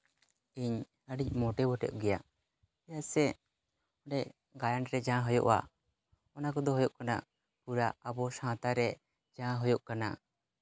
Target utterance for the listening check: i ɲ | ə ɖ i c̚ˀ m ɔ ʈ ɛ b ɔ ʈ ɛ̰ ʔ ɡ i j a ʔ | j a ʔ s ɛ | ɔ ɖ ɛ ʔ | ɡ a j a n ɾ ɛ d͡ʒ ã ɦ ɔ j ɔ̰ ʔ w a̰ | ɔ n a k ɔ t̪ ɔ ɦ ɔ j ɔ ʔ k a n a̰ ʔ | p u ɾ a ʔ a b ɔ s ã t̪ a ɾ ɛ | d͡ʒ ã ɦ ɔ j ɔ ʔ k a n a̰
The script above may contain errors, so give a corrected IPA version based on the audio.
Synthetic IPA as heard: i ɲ | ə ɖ i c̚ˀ m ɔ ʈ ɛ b ɔ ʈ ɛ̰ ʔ ɡ ɛ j a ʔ | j a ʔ s ɛ | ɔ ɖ ɛ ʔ | ɡ a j a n ɾ ɛ d͡ʒ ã ɦ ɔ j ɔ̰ ʔ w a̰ | ɔ n a k ɔ d̪ ɔ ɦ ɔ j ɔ ʔ k a n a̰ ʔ | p u ɾ a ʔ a b ɔ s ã t̪ a ɾ ɛ | d͡ʒ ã ɦ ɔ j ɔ ʔ k a n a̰